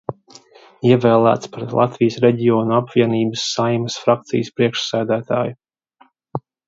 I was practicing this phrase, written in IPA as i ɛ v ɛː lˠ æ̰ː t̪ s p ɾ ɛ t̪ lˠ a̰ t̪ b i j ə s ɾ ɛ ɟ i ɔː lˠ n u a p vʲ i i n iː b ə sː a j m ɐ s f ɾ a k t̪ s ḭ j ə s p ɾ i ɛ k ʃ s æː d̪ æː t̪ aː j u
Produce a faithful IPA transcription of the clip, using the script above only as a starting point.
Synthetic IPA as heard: i ɛ v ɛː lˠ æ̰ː t̪ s p ɾ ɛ t̪ lˠ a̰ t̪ v i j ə s ɾ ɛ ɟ i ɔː n u a p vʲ i ɛ n iː b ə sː a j m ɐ s f ɾ a k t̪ s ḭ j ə s p ɾ i ɛ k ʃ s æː d̪ æː t̪ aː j u